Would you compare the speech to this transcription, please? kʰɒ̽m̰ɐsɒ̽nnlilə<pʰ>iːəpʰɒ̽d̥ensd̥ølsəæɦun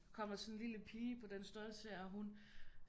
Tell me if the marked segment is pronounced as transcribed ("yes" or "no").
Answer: yes